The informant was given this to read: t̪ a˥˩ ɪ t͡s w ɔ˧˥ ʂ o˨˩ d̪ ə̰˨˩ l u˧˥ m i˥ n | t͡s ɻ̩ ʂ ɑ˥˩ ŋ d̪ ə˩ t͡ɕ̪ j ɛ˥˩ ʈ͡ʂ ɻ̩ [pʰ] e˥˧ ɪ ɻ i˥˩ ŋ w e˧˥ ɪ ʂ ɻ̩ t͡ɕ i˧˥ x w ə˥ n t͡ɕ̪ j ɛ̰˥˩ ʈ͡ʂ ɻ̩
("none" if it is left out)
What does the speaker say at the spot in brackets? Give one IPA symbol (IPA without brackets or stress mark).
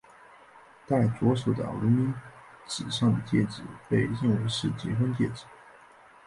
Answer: p